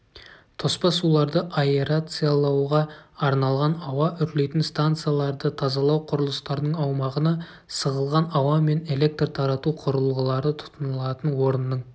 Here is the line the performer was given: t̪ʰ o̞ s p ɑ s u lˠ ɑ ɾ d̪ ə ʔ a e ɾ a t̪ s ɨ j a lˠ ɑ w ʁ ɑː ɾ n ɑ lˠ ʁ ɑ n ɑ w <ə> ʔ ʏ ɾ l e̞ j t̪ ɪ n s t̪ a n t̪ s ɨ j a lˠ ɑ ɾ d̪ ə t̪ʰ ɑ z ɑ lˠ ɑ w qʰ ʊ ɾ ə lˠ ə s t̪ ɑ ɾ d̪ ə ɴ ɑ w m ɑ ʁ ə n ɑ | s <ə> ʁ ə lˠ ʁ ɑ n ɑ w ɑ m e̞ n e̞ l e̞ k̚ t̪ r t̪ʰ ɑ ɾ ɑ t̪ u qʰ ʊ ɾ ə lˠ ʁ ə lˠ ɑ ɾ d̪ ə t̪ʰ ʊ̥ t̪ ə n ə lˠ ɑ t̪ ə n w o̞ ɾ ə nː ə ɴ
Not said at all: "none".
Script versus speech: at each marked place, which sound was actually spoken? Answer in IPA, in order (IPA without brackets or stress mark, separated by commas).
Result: ɑ, ə